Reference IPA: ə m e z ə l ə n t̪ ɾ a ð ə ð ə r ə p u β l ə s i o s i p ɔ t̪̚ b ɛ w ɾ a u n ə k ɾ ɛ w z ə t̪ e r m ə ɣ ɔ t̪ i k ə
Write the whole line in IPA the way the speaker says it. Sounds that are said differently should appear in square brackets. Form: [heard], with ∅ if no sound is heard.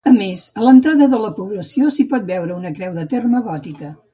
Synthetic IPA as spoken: ə m e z ə l ə n t̪ ɾ a ð ə ð ə [l] ə p u β l ə s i o s i p ɔ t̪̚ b ɛ w ɾ [ə] u n ə k ɾ ɛ w [ð] ə t̪ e r m ə ɣ ɔ t̪ i k ə